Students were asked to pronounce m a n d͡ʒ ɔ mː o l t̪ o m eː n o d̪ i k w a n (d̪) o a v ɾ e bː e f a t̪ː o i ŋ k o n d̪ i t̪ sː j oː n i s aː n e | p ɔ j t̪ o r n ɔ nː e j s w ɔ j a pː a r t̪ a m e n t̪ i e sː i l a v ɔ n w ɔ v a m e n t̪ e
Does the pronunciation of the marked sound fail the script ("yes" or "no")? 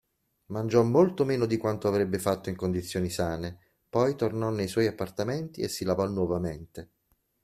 yes